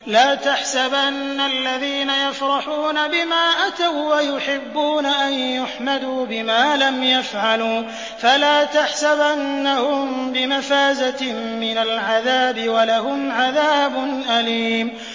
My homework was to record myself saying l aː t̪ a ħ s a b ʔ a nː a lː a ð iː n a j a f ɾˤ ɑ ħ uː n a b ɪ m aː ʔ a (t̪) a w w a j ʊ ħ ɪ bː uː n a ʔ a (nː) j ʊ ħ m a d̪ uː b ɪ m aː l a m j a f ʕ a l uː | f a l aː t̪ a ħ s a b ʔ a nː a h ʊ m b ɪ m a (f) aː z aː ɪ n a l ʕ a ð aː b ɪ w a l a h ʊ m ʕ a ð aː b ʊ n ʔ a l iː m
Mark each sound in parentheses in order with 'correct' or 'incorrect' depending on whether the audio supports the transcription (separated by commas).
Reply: correct, incorrect, correct